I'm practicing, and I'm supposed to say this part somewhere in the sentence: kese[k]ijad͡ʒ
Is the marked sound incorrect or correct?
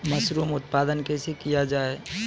correct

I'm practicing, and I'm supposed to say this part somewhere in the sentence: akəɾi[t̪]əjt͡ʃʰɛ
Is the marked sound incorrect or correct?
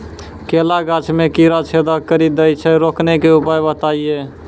incorrect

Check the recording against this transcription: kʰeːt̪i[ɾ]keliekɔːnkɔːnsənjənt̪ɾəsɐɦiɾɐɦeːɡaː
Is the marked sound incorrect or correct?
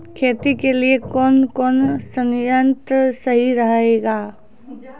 incorrect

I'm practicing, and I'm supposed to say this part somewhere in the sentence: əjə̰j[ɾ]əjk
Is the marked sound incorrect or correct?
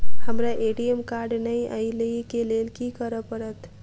incorrect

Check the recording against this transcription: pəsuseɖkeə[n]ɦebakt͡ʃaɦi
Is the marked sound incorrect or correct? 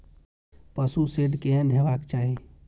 correct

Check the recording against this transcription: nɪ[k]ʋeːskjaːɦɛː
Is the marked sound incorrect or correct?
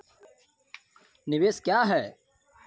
incorrect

